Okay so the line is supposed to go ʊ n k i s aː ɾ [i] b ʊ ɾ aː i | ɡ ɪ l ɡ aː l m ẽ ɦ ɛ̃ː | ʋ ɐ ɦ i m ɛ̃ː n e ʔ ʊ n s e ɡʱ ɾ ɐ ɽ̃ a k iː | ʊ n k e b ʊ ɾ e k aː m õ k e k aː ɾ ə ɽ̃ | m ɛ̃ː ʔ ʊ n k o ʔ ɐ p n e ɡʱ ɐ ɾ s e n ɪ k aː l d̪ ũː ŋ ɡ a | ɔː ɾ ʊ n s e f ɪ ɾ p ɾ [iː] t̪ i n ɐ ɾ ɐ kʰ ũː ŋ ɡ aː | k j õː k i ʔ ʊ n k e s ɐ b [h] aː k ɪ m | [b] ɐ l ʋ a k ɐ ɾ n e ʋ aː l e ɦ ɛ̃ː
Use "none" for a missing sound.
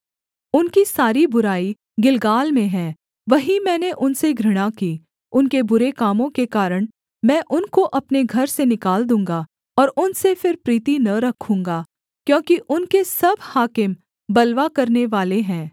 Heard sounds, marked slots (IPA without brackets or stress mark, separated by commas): i, iː, h, b